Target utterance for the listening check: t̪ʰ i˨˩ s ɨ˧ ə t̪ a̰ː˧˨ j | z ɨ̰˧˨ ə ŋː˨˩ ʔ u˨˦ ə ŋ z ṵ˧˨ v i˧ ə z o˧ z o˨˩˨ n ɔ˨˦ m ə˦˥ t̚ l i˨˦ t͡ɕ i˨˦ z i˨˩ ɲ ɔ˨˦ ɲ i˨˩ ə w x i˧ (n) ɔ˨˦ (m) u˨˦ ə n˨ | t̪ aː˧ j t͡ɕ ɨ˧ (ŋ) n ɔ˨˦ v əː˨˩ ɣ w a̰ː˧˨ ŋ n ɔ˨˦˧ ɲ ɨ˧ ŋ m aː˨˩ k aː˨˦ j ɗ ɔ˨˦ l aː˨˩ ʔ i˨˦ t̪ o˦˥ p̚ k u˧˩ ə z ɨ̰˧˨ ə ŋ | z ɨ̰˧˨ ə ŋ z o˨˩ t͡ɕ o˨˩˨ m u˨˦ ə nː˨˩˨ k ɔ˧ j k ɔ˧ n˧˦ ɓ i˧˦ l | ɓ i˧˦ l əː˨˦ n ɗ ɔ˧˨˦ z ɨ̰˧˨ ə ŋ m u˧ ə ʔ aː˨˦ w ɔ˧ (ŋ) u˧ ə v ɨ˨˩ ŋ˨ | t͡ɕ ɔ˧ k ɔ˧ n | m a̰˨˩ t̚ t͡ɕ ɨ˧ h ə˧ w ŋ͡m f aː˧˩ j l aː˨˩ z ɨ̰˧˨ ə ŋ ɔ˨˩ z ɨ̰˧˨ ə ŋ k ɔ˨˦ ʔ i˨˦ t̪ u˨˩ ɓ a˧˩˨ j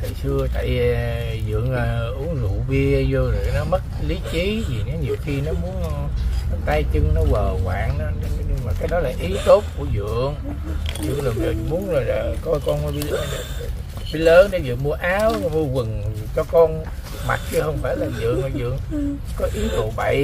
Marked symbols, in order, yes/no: yes, yes, yes, no

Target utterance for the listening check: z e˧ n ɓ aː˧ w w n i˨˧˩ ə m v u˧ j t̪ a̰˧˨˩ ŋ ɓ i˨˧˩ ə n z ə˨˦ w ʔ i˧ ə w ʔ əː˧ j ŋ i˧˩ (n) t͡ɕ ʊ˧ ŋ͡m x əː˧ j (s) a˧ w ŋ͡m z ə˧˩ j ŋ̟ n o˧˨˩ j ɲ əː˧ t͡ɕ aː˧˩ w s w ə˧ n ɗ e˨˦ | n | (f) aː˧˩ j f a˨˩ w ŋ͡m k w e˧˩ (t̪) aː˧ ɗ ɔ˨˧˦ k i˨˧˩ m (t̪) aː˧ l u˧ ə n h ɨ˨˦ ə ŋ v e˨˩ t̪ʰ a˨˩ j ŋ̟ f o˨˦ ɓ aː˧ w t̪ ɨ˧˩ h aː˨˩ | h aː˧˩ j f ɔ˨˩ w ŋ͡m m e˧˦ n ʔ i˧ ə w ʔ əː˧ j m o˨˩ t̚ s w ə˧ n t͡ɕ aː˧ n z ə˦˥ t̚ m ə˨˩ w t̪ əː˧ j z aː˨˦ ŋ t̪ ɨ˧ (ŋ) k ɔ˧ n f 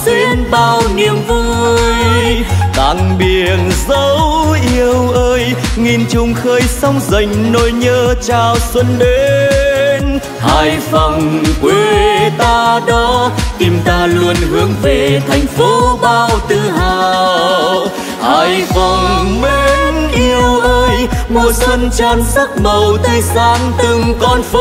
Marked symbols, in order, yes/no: yes, yes, no, yes, yes, yes

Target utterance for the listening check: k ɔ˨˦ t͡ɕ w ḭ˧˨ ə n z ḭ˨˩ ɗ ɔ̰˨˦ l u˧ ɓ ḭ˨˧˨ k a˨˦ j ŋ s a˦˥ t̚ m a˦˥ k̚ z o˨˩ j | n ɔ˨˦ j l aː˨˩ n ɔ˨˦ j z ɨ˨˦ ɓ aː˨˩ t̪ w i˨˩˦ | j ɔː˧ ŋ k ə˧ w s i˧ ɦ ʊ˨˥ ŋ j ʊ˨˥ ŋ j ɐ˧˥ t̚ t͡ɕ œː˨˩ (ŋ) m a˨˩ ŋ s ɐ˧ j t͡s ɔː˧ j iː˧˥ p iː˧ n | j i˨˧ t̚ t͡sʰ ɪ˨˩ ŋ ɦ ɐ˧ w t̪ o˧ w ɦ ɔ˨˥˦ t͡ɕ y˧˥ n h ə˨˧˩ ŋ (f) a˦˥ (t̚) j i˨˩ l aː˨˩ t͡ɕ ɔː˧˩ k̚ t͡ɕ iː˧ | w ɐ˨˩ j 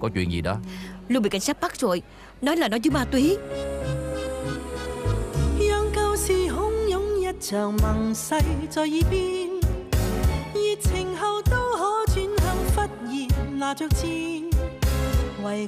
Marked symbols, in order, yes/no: yes, yes, yes

